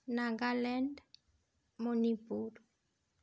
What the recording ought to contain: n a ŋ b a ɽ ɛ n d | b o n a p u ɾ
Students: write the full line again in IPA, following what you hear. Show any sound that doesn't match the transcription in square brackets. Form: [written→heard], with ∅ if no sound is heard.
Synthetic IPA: n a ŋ [b→ɡ] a [ɽ→l] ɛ n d | [b→m] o n [a→i] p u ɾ